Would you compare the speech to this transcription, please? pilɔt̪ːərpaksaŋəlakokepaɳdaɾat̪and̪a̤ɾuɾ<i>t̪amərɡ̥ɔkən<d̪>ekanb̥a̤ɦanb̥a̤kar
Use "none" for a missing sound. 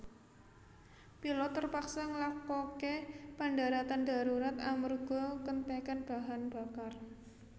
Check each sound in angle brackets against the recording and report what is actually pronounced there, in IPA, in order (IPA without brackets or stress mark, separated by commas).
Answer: a, t̪